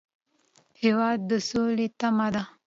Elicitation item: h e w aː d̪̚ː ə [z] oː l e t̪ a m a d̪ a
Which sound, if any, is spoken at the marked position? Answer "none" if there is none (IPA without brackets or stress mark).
s